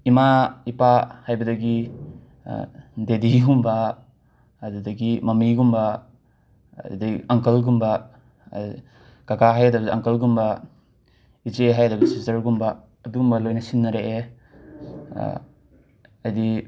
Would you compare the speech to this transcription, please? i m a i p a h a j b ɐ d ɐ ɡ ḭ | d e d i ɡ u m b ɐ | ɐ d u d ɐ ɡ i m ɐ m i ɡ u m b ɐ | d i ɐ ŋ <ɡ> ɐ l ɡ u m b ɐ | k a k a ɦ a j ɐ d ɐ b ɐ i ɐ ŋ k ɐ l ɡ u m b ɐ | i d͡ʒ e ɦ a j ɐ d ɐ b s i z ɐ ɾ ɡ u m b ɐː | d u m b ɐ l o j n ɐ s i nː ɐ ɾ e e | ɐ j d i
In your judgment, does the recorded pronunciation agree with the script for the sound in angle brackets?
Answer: no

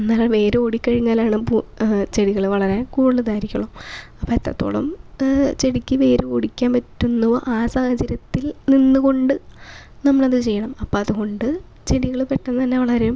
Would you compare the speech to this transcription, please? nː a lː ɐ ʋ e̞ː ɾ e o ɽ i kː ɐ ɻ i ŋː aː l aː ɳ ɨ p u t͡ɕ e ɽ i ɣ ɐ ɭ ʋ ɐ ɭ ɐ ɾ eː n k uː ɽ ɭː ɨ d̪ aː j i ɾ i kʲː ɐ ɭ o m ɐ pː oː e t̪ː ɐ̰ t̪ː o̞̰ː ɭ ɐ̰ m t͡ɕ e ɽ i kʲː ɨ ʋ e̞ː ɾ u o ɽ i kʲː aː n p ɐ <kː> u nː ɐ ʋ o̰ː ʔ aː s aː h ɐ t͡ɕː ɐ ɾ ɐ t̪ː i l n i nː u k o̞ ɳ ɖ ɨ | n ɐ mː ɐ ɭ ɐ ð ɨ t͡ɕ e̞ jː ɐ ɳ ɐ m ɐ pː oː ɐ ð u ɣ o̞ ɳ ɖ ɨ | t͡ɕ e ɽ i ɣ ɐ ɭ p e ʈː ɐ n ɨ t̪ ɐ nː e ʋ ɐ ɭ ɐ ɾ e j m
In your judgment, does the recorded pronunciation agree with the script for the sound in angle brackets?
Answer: no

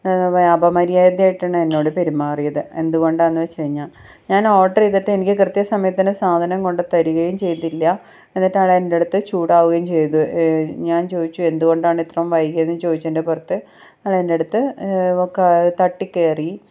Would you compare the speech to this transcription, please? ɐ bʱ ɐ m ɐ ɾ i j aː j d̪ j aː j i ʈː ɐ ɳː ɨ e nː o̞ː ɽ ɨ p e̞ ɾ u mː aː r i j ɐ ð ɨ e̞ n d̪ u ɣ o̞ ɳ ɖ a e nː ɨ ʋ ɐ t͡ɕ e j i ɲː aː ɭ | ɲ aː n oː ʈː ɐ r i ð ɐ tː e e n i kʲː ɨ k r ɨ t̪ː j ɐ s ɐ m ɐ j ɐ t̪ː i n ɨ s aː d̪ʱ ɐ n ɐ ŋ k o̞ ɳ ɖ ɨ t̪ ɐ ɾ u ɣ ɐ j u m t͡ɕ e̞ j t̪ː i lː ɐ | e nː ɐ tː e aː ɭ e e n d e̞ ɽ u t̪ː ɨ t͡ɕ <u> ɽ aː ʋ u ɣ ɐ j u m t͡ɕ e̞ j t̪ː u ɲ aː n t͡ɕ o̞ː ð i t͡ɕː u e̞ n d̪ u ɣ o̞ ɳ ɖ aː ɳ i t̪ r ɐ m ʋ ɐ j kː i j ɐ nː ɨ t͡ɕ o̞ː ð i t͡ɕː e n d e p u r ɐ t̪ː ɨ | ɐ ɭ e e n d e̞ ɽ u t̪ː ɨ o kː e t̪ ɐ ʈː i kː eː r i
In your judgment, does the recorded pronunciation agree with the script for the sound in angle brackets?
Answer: no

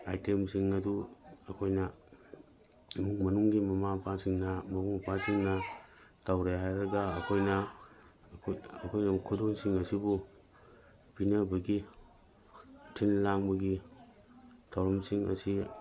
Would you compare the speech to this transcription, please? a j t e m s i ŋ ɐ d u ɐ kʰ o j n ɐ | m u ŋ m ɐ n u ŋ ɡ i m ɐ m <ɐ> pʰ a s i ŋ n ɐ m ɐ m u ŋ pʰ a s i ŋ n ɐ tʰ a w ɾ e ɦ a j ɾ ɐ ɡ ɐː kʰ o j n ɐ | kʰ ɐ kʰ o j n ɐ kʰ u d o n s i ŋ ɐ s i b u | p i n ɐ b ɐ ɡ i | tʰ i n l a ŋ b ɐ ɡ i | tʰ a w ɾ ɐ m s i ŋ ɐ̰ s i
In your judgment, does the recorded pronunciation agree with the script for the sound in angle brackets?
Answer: no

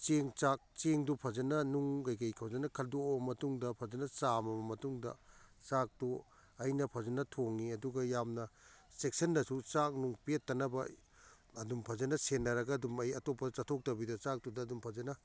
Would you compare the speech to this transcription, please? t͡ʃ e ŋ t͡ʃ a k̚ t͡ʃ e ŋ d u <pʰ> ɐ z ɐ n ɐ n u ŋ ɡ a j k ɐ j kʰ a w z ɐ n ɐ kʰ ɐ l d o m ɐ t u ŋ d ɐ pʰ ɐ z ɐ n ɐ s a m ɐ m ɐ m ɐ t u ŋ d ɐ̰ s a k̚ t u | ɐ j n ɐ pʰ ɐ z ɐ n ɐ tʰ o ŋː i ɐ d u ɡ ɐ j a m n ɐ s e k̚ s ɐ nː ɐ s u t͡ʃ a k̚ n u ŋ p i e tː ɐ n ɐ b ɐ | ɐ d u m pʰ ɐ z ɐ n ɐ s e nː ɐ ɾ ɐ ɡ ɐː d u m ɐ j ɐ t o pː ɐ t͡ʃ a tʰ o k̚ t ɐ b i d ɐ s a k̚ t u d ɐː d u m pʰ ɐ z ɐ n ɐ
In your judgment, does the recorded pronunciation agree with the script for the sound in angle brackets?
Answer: yes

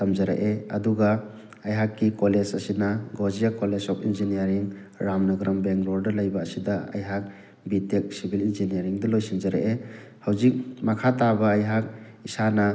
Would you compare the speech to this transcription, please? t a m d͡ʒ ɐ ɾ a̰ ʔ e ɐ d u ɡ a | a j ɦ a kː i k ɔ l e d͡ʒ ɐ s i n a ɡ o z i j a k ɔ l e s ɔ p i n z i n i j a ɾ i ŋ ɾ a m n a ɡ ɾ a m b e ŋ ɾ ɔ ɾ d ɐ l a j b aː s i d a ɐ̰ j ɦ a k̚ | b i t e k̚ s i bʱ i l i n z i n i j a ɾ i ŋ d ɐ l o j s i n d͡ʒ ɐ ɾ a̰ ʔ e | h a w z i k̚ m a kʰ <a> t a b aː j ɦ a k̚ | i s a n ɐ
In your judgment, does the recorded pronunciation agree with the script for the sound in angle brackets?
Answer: yes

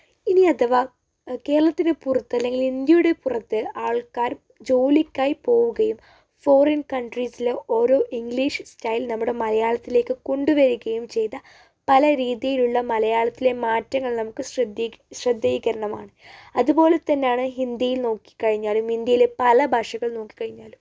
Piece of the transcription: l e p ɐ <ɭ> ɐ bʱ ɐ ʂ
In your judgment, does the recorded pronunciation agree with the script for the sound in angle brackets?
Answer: no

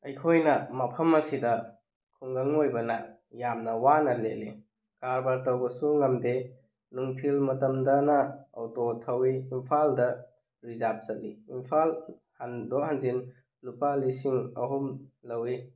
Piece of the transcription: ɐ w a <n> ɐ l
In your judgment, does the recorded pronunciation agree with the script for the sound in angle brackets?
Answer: yes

